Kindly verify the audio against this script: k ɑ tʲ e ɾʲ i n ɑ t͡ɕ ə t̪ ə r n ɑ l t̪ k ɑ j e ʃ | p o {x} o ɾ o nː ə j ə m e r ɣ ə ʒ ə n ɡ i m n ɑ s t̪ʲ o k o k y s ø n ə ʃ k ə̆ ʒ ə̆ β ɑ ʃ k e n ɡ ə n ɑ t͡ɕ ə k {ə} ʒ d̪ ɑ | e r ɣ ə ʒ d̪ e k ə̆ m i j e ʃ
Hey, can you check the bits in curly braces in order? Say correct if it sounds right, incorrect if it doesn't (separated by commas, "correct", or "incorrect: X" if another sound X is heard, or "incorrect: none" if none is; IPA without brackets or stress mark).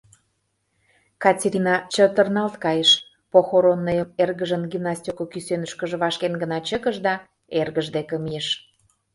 correct, correct